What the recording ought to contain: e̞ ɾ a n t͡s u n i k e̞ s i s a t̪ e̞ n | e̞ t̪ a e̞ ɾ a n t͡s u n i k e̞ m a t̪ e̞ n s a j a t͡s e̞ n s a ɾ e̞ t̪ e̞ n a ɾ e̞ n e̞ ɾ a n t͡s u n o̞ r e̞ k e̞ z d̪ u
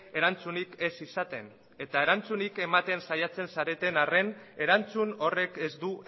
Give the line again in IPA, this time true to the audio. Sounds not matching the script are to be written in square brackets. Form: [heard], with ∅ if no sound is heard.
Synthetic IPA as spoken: e̞ ɾ a n t͡s u n i k e̞ s i s a t̪ e̞ n | e̞ t̪ a e̞ ɾ a n t͡s u n i k e̞ m a t̪ e̞ n s a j a t͡s e̞ n s a ɾ e̞ t̪ e̞ n a [r] e̞ n e̞ ɾ a n t͡s u n o̞ r e̞ k e̞ z d̪ u